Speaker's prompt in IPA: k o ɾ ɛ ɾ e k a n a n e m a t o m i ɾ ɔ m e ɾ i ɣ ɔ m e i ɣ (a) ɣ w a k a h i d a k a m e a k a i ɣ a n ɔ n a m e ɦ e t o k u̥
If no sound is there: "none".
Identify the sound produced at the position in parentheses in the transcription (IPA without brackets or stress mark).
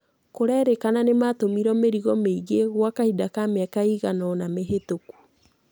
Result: e